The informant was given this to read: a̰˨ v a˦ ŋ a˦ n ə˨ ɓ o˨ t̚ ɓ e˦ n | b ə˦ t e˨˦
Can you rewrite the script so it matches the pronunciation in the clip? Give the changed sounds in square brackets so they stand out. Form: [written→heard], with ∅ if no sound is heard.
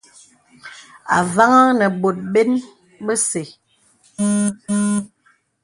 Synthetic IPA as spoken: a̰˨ v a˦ ŋ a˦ n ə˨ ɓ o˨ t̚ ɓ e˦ n | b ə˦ [t→s] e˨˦